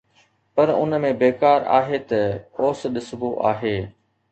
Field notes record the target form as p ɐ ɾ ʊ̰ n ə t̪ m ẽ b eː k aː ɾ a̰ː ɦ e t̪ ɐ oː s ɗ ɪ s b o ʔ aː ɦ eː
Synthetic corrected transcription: p ɐ ɾ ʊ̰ n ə m ẽ b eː k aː ɾ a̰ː ɦ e t̪ ɐ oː s ɗ ɪ s b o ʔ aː ɦ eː